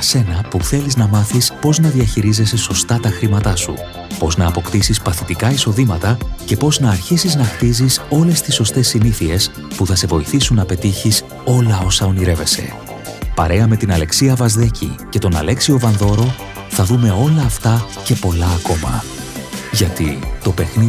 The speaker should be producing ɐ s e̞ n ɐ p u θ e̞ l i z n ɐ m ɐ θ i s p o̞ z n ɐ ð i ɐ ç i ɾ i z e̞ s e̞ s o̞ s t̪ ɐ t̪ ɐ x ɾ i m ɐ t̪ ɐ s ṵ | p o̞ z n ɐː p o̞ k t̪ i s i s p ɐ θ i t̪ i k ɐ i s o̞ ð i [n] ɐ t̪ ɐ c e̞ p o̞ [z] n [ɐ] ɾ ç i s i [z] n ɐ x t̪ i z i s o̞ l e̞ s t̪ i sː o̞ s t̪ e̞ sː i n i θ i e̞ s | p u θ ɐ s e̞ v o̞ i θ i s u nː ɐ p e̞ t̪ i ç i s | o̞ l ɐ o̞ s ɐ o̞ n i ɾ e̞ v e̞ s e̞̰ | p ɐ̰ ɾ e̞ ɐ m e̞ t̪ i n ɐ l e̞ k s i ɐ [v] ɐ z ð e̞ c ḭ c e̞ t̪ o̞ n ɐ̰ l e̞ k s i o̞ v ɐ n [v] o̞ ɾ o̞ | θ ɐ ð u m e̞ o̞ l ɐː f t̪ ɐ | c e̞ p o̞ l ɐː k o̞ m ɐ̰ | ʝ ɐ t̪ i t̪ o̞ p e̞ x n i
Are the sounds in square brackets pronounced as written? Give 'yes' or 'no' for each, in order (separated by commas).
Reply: no, yes, no, yes, yes, no